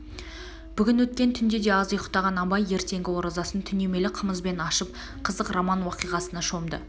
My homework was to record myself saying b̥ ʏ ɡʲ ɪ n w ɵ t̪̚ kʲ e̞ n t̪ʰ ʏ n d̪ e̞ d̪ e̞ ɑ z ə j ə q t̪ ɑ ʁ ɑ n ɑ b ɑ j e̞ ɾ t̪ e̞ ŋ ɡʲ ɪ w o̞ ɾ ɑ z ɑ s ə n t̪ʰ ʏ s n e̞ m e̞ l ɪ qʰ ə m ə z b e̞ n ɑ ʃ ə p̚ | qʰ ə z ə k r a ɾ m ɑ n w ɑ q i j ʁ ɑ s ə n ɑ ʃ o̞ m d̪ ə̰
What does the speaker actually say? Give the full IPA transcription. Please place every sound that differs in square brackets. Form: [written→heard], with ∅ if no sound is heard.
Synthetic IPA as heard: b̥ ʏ ɡʲ ɪ n w ɵ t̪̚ kʲ e̞ n t̪ʰ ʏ n d̪ e̞ d̪ e̞ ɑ z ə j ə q t̪ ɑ ʁ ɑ n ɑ b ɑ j e̞ ɾ t̪ e̞ ŋ ɡʲ ɪ w o̞ ɾ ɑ z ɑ s ə n t̪ʰ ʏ [s→∅] n e̞ m e̞ l ɪ qʰ ə m ə z b e̞ n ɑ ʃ ə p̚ | qʰ ə z ə [k→q] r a [ɾ→∅] m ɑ n w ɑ q i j ʁ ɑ s ə n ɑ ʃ o̞ m d̪ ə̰